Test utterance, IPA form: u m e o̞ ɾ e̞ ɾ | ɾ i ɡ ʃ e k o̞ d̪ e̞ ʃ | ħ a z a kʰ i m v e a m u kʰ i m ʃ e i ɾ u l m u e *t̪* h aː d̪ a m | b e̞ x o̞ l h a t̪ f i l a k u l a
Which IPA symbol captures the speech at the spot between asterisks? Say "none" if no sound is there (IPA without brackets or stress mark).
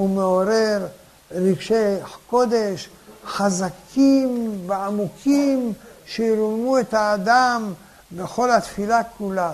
t̪